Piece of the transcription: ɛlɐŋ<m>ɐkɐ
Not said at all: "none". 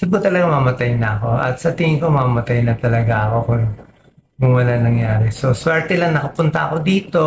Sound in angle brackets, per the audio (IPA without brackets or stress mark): n